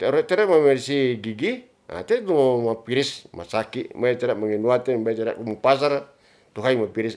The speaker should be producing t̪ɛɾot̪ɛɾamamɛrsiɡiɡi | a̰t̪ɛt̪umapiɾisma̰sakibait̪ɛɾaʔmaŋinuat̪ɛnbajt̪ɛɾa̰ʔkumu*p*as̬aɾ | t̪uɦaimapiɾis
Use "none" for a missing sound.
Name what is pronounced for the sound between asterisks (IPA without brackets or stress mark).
p